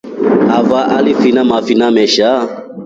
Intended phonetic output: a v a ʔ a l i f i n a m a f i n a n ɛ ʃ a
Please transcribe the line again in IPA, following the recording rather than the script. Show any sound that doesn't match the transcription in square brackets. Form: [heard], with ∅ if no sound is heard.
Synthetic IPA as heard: a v a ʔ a l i f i n a m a f i n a [m] ɛ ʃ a